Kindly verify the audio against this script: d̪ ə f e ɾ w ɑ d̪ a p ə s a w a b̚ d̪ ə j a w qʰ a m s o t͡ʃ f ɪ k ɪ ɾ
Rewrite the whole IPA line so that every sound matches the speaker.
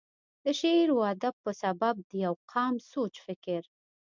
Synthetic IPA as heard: d̪ ə ʃ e ɾ w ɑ d̪ a p ə s a b a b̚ d̪ ə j a w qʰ ɑ m s o t͡ʃ f ɪ k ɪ ɾ